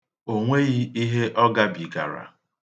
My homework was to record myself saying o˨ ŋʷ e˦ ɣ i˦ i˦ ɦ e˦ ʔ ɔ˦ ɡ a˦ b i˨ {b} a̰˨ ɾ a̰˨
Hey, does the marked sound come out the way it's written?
no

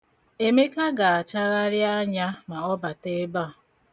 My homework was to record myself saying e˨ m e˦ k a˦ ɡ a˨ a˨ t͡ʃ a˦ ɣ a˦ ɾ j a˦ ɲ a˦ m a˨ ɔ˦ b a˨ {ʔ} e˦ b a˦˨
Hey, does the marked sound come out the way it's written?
no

